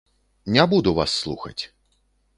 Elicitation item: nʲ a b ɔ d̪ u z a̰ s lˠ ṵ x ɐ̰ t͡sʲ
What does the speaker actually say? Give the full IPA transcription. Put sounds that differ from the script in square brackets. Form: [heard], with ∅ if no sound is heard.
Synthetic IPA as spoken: nʲ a b [u] d̪ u [v] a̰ [sː] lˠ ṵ x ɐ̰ t͡sʲ